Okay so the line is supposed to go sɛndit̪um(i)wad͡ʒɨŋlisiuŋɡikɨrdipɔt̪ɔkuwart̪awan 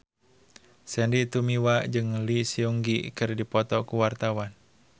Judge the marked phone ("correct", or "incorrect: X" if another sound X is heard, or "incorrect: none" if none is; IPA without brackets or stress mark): correct